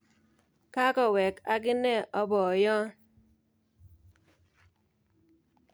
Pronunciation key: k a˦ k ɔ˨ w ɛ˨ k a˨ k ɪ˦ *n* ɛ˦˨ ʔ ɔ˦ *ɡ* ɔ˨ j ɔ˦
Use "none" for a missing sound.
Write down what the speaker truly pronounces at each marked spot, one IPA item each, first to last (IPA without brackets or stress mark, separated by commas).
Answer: n, b